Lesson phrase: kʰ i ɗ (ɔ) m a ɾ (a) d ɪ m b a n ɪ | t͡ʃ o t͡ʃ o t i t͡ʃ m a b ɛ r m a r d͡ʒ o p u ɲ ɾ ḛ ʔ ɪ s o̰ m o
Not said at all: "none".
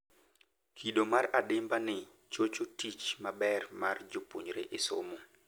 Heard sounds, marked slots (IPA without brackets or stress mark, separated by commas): o, a